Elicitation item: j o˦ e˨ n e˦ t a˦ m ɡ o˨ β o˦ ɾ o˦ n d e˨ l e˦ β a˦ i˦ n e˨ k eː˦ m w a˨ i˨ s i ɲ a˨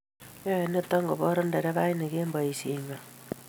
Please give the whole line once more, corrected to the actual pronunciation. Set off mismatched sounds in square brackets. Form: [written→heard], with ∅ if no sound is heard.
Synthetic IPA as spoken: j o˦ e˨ n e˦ t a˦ [m→ŋ] ɡ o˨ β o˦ ɾ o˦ n d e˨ [l→ɾ] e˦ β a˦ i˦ n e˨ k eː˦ m [w→b] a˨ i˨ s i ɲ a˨